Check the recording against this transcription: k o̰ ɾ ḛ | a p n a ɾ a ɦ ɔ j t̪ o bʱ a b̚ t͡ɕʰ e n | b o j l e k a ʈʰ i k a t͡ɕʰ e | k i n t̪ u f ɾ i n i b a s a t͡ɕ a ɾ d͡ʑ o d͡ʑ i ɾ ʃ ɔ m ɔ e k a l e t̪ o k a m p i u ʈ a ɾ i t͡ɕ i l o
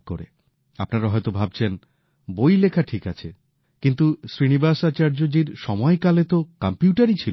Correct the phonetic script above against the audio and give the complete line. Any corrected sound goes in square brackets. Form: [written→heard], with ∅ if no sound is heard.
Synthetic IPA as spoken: k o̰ ɾ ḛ | a p n a ɾ a ɦ ɔ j t̪ o bʱ a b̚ t͡ɕʰ e n | b o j l e [k→kʰ] a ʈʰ i k a t͡ɕʰ e | k i n t̪ u [f→s] ɾ i n i b a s a t͡ɕ a ɾ d͡ʑ o d͡ʑ i ɾ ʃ ɔ m ɔ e k a l e t̪ o k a m p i u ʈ a ɾ i [t͡ɕ→t͡ɕʰ] i l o